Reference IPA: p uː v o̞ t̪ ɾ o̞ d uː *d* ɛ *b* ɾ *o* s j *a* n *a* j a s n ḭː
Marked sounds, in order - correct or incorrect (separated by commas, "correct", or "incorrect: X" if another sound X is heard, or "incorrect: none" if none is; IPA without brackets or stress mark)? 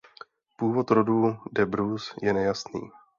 correct, correct, incorrect: u, incorrect: ɛ, incorrect: ɛ